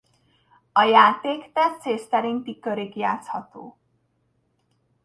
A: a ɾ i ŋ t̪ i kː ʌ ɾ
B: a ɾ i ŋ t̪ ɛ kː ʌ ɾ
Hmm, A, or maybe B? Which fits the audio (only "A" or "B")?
A